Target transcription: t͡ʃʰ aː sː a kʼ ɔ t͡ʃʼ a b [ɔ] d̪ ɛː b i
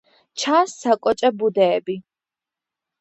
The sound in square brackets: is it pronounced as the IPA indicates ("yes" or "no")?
no